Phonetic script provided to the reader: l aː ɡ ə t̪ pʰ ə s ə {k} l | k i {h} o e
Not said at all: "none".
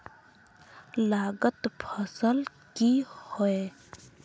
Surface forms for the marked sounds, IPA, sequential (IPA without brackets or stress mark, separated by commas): none, h